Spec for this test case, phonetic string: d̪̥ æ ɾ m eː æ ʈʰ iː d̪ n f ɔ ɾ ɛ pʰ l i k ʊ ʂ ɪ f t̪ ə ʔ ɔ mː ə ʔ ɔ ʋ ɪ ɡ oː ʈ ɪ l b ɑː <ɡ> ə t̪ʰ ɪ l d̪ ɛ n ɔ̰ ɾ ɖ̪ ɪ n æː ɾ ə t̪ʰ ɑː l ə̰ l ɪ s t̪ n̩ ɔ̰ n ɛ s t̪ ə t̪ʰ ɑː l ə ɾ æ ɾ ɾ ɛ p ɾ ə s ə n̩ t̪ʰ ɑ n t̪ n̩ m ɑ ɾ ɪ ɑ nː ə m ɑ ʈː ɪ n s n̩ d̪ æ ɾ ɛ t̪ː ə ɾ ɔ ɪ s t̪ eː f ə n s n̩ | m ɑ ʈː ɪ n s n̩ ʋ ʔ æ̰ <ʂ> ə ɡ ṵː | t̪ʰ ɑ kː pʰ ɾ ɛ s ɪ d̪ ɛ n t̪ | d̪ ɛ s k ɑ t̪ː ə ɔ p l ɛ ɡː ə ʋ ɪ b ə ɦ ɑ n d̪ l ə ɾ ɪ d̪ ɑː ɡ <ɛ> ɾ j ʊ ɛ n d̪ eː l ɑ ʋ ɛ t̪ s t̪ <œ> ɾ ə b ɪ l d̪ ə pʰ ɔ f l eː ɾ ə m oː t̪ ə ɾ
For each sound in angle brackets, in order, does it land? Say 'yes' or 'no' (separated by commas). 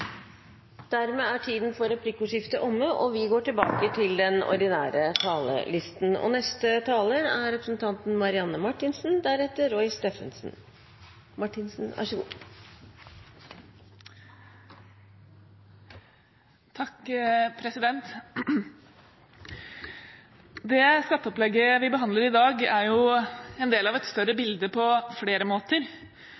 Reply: no, yes, no, yes